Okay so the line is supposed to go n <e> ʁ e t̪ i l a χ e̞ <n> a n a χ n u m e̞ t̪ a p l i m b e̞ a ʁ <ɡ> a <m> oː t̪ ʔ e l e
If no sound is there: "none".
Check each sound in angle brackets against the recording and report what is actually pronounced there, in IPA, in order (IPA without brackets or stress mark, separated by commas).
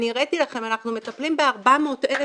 i, m, b, m